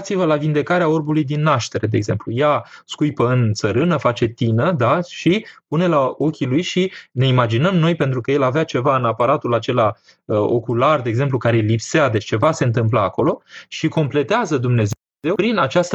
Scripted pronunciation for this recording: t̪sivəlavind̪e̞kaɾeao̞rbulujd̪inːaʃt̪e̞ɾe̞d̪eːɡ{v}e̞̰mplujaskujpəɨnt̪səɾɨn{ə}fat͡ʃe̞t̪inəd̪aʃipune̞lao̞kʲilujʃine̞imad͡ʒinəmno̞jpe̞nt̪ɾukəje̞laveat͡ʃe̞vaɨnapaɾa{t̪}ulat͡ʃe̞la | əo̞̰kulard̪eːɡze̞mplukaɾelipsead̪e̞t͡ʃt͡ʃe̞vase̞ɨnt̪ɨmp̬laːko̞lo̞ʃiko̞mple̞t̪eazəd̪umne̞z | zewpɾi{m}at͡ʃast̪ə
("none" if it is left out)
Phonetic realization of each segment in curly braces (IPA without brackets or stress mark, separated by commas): z, ə, t̪, n